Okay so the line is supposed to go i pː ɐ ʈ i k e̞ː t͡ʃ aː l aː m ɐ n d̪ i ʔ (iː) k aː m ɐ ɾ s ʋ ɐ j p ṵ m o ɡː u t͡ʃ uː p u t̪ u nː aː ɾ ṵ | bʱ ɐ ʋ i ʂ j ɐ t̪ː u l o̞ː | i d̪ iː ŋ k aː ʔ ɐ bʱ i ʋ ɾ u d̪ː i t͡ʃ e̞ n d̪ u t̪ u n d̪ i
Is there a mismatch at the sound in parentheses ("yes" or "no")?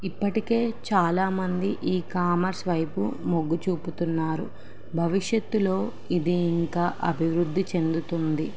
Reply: no